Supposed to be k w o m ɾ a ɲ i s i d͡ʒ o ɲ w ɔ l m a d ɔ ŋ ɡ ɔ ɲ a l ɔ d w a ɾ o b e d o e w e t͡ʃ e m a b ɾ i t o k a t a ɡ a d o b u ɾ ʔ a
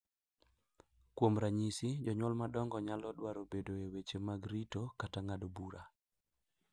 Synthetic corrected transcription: k w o m ɾ a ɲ i s i d͡ʒ ɔ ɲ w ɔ l m a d ɔ ŋ ɡ ɔ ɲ a l ɔ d w a ɾ o b e d o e w e t͡ʃ e m a ɡ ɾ i t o k a t a ŋ a d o b u ɾ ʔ a

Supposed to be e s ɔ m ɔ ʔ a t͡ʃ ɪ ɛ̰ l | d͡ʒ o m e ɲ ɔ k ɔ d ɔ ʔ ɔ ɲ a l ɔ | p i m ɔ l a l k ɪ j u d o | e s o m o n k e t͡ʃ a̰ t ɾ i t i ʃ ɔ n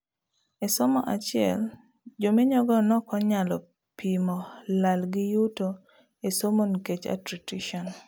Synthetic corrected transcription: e s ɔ m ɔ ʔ a t͡ʃ ɪ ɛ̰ l | d͡ʒ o m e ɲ ɔ ɡ ɔ n ɔ k ɔ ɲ a l ɔ | p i m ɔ l a l ɡ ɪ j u t o | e s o m o n k e t͡ʃ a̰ t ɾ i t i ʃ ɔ n

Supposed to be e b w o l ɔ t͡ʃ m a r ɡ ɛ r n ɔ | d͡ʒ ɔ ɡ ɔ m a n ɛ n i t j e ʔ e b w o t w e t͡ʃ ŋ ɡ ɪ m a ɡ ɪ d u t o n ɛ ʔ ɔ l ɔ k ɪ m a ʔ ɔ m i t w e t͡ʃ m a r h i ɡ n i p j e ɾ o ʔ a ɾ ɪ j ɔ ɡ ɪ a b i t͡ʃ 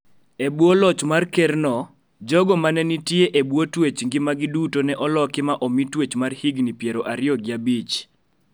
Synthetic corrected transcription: e b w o l ɔ t͡ʃ m a r k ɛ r n ɔ | d͡ʒ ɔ ɡ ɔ m a n ɛ n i t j e ʔ e b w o t w e t͡ʃ ŋ ɡ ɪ m a ɡ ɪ d u t o n ɛ ʔ ɔ l ɔ k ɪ m a ʔ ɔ m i t w e t͡ʃ m a r h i ɡ n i p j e ɾ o ʔ a ɾ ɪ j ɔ ɡ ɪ a b i t͡ʃ

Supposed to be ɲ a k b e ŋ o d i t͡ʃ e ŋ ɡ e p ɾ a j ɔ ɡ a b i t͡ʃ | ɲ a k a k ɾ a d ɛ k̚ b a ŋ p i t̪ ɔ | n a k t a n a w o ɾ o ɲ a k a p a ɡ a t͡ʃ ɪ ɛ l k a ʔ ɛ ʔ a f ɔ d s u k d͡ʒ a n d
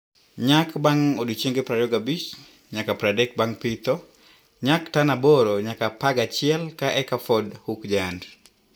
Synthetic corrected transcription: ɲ a k b a ŋ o d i t͡ʃ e ŋ ɡ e p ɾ a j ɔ ɡ a b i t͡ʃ | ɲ a k a p ɾ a d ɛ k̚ b a ŋ p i t̪ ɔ | ɲ a k t a n a b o ɾ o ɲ a k a p a ɡ a t͡ʃ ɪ ɛ l k a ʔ ɛ k a f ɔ d h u k d͡ʒ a n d

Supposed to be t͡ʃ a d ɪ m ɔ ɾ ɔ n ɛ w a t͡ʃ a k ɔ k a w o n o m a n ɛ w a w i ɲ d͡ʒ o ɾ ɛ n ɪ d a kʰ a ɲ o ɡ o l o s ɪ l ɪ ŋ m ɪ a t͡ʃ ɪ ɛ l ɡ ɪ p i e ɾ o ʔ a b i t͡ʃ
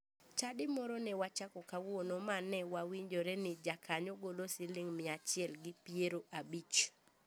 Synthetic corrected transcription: t͡ʃ a d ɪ m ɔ ɾ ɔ n ɛ w a t͡ʃ a k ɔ k a w o n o m a n ɛ w a w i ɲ d͡ʒ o ɾ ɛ n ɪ d͡ʒ a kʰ a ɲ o ɡ o l o s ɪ l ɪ ŋ m ɪ a t͡ʃ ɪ ɛ l ɡ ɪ p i e ɾ o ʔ a b i t͡ʃ

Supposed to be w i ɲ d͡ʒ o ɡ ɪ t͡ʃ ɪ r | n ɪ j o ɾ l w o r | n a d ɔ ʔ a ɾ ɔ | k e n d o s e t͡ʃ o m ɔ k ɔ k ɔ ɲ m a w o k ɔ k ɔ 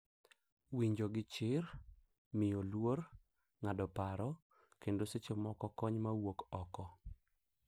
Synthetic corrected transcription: w i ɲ d͡ʒ o ɡ ɪ t͡ʃ ɪ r | m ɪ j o l w o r | ŋ a d ɔ p a ɾ ɔ | k e n d o s e t͡ʃ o m ɔ k ɔ k ɔ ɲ m a w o k ɔ k ɔ

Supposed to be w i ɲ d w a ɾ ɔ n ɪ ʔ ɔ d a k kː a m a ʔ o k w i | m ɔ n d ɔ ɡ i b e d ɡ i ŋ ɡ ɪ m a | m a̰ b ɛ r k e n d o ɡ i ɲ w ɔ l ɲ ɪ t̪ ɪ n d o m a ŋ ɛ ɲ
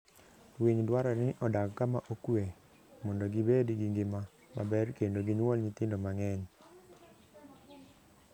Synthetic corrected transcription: w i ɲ d w a ɾ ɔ n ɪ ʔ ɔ d a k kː a m a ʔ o k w e | m ɔ n d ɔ ɡ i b e d ɡ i ŋ ɡ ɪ m a | m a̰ b ɛ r k e n d o ɡ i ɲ w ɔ l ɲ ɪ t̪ ɪ n d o m a ŋ ɛ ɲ

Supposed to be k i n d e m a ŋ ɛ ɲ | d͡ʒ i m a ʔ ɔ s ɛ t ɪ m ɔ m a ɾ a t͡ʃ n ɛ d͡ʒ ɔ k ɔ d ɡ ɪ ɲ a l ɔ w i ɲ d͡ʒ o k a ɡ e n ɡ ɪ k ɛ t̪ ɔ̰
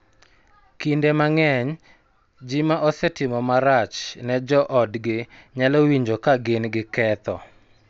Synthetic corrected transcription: k i n d e m a ŋ ɛ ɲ | d͡ʒ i m a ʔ ɔ s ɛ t ɪ m ɔ m a ɾ a t͡ʃ n ɛ d͡ʒ ɔ ʔ ɔ d ɡ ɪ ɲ a l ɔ w i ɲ d͡ʒ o k a ɡ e n ɡ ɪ k ɛ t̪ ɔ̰

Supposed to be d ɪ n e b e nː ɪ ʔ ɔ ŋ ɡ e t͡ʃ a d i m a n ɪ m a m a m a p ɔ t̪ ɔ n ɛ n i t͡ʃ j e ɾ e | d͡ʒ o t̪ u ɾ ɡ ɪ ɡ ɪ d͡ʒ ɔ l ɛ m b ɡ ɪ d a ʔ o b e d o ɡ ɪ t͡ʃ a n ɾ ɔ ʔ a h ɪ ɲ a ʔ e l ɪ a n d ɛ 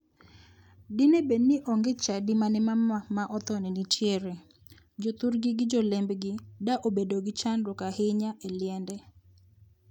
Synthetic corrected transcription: d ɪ n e b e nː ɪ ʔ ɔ ŋ ɡ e t͡ʃ a d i m a n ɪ m a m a m a ʔ ɔ t̪ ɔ n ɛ n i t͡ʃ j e ɾ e | d͡ʒ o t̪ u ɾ ɡ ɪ ɡ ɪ d͡ʒ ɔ l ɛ m b ɡ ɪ d a ʔ o b e d o ɡ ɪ t͡ʃ a n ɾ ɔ k a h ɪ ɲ a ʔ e l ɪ ɛ n d ɛ

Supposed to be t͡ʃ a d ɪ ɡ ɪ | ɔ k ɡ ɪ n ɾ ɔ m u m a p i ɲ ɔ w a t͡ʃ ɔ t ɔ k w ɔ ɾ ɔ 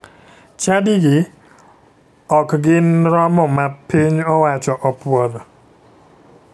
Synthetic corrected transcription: t͡ʃ a d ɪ ɡ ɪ | ɔ k ɡ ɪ n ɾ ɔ m ɔ m a p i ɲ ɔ w a t͡ʃ ɔ ʔ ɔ p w ɔ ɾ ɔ

